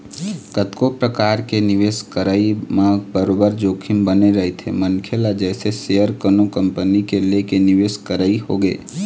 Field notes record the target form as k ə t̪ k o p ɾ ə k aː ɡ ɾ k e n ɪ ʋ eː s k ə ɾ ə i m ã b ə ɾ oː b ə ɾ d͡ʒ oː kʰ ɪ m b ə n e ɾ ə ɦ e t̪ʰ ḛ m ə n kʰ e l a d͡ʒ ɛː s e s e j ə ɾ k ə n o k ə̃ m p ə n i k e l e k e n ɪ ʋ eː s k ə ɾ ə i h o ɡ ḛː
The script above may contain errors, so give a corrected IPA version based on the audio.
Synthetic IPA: k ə t̪ k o p ɾ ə k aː ɾ k e n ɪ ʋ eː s k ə ɾ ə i m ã b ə ɾ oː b ə ɾ d͡ʒ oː kʰ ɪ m b ə n e ɾ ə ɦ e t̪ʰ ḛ m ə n kʰ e l a d͡ʒ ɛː s e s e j ə ɾ k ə n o k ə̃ m p ə n i k e l e k e n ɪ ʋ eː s k ə ɾ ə i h o ɡ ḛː